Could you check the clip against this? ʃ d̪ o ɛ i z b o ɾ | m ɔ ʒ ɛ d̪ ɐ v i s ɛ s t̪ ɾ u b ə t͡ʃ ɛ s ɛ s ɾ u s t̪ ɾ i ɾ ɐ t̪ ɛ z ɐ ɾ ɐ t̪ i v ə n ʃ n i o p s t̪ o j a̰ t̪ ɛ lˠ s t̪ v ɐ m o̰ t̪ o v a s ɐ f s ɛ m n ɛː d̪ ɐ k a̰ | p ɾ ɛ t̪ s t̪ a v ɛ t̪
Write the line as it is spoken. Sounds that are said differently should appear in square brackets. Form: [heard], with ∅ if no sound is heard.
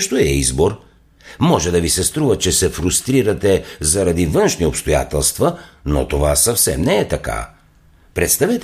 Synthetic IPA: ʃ [t̪] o ɛ i z b o ɾ | m ɔ ʒ ɛ d̪ ɐ v i s ɛ s t̪ ɾ u [v] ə t͡ʃ ɛ s ɛ [f] ɾ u s t̪ ɾ i ɾ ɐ t̪ ɛ z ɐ ɾ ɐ [d̪] i v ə n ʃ n i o p s t̪ o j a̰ t̪ ɛ lˠ s t̪ v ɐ [n] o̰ t̪ o v a s ɐ f s ɛ m n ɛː [t̪] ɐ k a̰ | p ɾ ɛ t̪ s t̪ a v ɛ t̪